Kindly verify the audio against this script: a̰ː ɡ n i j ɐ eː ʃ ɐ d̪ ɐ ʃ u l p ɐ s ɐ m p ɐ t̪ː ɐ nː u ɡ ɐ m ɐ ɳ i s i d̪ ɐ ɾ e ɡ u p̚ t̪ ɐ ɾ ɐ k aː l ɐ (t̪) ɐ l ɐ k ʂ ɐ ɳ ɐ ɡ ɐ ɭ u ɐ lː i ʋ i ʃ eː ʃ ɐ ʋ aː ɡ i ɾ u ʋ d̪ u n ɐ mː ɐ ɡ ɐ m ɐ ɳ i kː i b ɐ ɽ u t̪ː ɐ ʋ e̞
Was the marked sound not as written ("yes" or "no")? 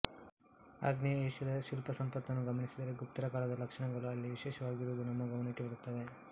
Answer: yes